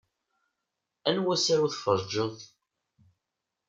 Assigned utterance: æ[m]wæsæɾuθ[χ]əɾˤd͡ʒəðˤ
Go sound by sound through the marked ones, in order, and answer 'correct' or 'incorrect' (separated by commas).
incorrect, incorrect